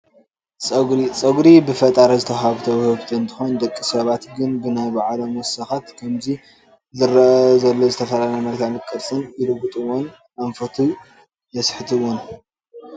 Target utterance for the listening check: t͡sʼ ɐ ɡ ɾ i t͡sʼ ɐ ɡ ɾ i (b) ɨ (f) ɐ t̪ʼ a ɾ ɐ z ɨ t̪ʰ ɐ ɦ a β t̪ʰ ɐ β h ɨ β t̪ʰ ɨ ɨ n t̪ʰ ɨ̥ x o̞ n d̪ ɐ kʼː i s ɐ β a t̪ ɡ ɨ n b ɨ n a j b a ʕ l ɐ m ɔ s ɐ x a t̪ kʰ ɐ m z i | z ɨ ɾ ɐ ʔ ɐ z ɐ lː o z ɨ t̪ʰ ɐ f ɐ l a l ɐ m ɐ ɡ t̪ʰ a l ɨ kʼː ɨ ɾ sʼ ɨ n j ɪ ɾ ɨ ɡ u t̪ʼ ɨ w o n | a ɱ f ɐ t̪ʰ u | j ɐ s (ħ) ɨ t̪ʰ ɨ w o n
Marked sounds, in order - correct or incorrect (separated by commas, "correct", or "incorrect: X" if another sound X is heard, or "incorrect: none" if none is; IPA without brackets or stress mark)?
correct, correct, correct